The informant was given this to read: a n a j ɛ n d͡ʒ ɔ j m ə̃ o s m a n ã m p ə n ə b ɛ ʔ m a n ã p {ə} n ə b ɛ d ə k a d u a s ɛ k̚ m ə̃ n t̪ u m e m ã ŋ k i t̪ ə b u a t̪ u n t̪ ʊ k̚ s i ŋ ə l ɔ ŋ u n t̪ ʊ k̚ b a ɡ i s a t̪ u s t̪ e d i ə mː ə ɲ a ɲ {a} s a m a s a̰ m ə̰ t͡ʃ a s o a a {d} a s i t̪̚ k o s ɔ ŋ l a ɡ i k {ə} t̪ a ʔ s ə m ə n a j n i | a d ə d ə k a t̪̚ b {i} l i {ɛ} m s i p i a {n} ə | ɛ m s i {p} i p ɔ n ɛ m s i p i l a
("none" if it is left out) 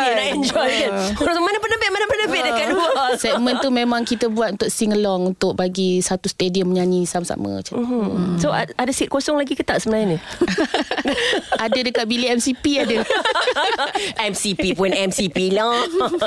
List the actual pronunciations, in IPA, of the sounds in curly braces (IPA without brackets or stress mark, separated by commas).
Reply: ə, i, d, ə, i, ɛ, d, p